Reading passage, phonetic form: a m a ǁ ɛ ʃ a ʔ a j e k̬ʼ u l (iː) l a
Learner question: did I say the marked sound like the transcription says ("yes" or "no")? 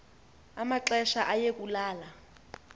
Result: no